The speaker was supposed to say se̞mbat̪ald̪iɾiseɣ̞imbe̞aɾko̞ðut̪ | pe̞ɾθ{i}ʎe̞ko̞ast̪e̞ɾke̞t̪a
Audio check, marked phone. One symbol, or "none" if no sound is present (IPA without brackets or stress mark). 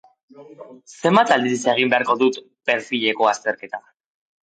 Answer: i